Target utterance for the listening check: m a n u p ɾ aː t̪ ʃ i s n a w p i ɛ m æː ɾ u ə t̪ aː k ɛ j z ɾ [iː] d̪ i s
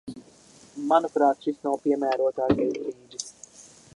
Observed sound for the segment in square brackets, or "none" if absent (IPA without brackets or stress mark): iː